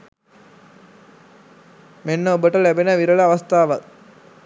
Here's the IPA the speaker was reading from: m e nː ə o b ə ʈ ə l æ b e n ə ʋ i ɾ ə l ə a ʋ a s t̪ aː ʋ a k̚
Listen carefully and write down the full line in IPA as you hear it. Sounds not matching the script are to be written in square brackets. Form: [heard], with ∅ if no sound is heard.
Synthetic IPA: m e nː ə o b ə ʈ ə l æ b e n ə ʋ i ɾ ə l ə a ʋ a s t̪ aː ʋ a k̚